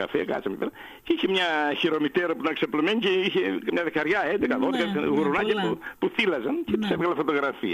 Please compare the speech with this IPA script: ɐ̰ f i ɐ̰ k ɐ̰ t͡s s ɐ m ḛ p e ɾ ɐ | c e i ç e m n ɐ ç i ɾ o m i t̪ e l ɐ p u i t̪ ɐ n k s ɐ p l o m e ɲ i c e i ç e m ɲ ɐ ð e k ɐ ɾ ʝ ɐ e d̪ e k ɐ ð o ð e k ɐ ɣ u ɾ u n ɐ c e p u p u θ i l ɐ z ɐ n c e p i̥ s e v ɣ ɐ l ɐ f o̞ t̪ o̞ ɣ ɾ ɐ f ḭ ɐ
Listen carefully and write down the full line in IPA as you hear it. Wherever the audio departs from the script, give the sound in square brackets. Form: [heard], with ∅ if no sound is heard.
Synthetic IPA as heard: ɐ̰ f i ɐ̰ k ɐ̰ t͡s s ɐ m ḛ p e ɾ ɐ | c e i ç e m [ɲ] ɐ ç i ɾ o m i t̪ e [ɾ] ɐ p u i t̪ ɐ n k s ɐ p l o m e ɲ i c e i ç e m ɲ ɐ ð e k ɐ ɾ ʝ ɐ e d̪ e k ɐ ð o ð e k ɐ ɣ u ɾ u n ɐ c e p u p u θ i l ɐ z ɐ n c e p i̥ s e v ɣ ɐ l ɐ f o̞ t̪ o̞ ɣ ɾ ɐ f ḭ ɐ